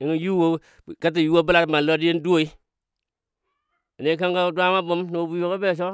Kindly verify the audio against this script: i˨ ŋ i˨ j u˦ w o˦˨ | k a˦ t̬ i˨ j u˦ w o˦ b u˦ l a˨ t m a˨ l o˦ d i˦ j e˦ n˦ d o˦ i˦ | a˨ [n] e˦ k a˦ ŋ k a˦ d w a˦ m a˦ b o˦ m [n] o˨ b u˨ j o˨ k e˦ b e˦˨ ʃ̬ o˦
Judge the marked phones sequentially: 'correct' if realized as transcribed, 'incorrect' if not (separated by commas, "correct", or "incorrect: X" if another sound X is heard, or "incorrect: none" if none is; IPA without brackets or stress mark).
correct, correct